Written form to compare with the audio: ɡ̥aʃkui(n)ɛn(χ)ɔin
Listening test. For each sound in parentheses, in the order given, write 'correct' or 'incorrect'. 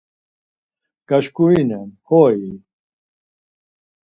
correct, incorrect

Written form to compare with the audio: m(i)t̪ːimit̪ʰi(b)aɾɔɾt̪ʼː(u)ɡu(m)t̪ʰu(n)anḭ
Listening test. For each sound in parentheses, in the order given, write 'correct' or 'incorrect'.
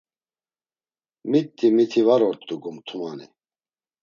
correct, incorrect, correct, correct, incorrect

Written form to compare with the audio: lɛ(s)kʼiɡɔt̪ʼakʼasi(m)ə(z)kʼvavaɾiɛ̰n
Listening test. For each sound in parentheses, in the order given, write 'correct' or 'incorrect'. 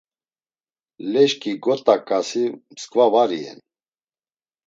incorrect, correct, incorrect

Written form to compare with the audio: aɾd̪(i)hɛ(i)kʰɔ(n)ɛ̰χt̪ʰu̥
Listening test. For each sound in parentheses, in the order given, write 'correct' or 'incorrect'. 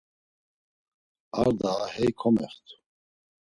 incorrect, incorrect, incorrect

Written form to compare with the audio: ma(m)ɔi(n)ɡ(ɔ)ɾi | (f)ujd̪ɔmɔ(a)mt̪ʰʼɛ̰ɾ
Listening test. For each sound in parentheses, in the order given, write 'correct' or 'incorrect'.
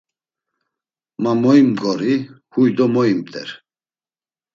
correct, incorrect, correct, incorrect, incorrect

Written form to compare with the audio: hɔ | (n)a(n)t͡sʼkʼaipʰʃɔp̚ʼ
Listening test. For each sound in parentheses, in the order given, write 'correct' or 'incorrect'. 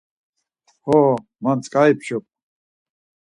incorrect, correct

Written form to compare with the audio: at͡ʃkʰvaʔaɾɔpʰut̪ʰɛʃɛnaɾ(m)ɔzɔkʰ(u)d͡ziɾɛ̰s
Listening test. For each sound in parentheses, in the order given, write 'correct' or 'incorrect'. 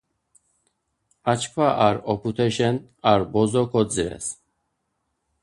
incorrect, incorrect

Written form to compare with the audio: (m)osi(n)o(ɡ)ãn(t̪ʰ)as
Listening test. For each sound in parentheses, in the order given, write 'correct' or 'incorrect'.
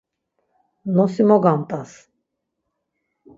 incorrect, incorrect, correct, incorrect

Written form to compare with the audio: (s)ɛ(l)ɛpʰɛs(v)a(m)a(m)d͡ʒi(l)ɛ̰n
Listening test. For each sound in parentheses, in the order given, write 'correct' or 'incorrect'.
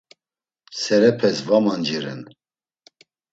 correct, incorrect, correct, correct, incorrect, incorrect

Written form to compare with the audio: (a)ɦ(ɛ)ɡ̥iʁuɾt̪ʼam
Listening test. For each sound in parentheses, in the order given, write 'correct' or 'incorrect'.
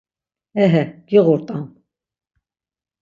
incorrect, correct

